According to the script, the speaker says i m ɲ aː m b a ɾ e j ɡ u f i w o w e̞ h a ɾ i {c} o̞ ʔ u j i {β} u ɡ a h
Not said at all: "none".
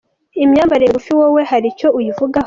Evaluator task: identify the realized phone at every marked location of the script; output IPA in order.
c, v

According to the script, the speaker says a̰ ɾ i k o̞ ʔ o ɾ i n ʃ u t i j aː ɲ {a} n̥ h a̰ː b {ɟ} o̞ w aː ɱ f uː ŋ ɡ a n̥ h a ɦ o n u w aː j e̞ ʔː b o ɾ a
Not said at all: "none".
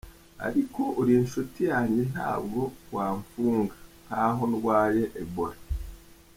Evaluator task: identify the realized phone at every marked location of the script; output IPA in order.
e, ɡ

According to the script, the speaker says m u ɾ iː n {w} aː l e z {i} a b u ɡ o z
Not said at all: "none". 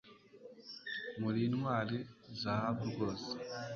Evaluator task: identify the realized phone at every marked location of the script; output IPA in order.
w, a

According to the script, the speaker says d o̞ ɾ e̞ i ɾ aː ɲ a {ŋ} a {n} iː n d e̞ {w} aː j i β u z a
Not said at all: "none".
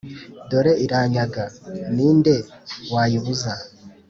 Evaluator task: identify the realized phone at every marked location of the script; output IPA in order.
ɡ, n, w

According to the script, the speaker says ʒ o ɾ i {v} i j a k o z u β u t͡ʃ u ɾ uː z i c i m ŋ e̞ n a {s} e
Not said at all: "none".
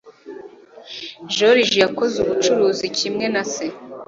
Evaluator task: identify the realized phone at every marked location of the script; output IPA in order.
ʒ, s

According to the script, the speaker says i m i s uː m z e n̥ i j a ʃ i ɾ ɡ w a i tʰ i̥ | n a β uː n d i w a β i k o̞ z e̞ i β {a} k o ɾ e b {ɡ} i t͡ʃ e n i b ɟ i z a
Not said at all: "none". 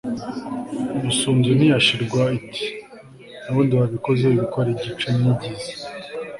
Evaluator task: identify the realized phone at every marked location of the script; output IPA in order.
i, ɟ

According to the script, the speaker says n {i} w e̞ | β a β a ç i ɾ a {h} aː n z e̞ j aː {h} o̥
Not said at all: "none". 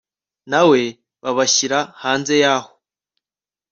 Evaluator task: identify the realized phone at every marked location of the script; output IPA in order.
a, h, h

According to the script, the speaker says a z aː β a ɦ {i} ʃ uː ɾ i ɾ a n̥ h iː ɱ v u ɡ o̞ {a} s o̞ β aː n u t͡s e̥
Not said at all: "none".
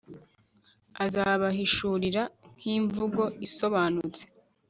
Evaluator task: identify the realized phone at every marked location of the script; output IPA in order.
i, i

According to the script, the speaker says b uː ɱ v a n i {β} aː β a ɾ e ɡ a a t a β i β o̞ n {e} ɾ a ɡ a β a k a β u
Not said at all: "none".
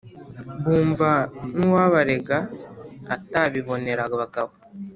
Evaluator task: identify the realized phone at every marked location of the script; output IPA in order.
w, e

